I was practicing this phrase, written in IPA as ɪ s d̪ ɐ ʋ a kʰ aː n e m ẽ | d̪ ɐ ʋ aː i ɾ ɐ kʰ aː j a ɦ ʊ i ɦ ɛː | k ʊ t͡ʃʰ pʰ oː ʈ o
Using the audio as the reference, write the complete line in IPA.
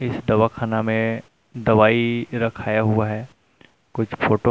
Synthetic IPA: ɪ s d̪ ɐ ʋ a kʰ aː n a m ẽ | d̪ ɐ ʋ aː i ɾ ɐ kʰ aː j a ɦ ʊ a ɦ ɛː | k ʊ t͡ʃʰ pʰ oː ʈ o

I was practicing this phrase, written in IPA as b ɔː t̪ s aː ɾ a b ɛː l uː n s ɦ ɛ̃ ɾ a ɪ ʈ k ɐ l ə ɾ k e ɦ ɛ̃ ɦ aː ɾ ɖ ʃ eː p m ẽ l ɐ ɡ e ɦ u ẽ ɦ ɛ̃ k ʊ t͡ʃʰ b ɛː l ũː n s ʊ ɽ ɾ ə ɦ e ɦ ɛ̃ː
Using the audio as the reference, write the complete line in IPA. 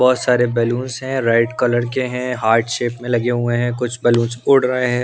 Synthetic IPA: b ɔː t̪ s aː ɾ e b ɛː l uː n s ɦ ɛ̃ ɾ a ɪ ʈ k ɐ l ə ɾ k e ɦ ɛ̃ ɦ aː ɾ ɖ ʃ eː p m ẽ l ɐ ɡ e ɦ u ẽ ɦ ɛ̃ k ʊ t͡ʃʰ b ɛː l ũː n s ʊ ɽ ɾ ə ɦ e ɦ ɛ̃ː

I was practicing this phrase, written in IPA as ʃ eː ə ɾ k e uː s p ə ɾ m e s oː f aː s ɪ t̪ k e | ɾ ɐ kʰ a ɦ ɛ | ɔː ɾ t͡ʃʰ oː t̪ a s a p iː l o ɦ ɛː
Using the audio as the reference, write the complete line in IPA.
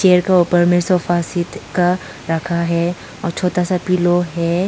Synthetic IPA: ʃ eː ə ɾ k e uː p ə ɾ m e s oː f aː s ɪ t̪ k a | ɾ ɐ kʰ a ɦ ɛ | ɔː ɾ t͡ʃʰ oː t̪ a s a p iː l o ɦ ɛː

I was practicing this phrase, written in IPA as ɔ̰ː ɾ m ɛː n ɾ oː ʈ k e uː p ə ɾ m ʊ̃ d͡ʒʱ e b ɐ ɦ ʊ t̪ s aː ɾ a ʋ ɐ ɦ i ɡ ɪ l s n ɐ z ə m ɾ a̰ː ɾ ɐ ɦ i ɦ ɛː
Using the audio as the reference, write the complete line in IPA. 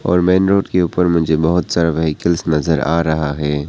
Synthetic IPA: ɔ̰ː ɾ m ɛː n ɾ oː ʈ k e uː p ə ɾ m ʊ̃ d͡ʒʱ e b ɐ ɦ ʊ t̪ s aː ɾ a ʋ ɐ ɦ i k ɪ l s n ɐ z ə ɾ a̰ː ɾ ɐ ɦ a ɦ ɛː

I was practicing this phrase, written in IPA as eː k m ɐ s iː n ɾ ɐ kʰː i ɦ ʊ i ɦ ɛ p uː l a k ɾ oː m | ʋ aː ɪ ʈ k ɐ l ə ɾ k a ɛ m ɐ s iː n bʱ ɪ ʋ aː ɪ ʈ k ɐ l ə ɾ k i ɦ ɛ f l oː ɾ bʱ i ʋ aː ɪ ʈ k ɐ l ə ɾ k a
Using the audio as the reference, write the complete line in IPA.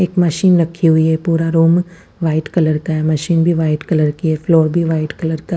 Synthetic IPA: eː k m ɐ ʃ iː n ɾ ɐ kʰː i ɦ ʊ i ɦ ɛ p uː ɾ a ɾ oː m | ʋ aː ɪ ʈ k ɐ l ə ɾ k a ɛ m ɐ ʃ iː n bʱ i ʋ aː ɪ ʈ k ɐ l ə ɾ k i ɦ ɛ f l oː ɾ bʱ i ʋ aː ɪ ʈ k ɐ l ə ɾ k a

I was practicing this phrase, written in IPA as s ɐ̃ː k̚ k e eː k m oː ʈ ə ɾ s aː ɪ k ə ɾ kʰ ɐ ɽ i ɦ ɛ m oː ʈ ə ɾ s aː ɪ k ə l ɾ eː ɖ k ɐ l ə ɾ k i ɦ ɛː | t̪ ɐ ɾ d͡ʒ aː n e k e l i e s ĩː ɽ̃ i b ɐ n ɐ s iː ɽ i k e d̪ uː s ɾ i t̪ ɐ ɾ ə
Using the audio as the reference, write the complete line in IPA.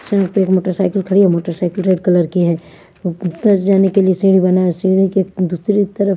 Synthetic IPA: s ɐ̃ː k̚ p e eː k m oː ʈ ə ɾ s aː ɪ k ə l kʰ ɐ ɽ i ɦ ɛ m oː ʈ ə ɾ s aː ɪ k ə l ɾ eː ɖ k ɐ l ə ɾ k i ɦ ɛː | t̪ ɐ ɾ d͡ʒ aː n e k e l i e s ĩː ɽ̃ i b ɐ n a s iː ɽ i k e d̪ uː s ɾ i t̪ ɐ ɾ ə

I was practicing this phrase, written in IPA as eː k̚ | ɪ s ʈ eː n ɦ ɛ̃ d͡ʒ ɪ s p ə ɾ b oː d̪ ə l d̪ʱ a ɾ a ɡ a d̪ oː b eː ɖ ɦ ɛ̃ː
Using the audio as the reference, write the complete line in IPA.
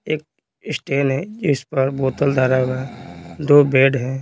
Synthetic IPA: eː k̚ | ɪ s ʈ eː n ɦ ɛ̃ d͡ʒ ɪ s p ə ɾ b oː t̪ ə l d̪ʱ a ɾ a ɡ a d̪ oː b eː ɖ ɦ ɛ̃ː

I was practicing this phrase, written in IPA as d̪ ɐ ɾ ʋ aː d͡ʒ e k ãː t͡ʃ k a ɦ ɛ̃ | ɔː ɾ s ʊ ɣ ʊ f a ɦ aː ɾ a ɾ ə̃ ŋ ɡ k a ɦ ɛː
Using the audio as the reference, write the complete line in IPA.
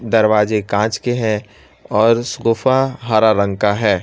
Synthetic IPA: d̪ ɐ ɾ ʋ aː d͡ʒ e k ãː t͡ʃ k e ɦ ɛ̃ | ɔː ɾ s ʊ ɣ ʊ f a ɦ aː ɾ a ɾ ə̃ ŋ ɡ k a ɦ ɛː

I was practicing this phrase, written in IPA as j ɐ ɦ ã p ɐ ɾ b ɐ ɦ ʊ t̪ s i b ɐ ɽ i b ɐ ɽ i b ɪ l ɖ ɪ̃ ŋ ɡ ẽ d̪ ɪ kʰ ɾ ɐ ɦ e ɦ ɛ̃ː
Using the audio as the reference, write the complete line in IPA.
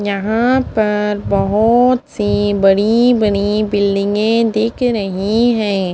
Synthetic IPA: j ɐ ɦ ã p ɐ ɾ b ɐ ɦ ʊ t̪ s i b ɐ ɽ i b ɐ ɽ i b ɪ l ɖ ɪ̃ ŋ ɡ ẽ d̪ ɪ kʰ ɾ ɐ ɦ i ɦ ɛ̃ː

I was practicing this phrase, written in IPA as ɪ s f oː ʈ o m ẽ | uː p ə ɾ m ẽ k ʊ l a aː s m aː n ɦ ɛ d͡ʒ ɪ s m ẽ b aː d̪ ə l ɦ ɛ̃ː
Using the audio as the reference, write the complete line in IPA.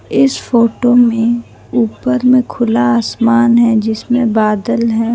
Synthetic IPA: ɪ s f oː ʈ o m ẽ | uː p ə ɾ m ẽ kʰ ʊ l a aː s m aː n ɦ ɛ d͡ʒ ɪ s m ẽ b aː d̪ ə l ɦ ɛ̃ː

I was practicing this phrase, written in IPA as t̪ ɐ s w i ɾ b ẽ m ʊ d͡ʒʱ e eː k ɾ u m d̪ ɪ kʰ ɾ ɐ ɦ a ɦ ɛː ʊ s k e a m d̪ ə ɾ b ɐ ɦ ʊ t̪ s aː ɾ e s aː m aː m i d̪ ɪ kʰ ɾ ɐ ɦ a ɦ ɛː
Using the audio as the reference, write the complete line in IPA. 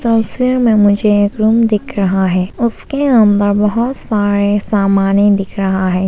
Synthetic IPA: t̪ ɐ s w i ɾ m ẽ m ʊ d͡ʒʱ e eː k ɾ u m d̪ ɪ kʰ ɾ ɐ ɦ a ɦ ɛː ʊ s k e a m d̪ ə ɾ b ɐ ɦ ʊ t̪ s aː ɾ e s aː m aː n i d̪ ɪ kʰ ɾ ɐ ɦ a ɦ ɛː

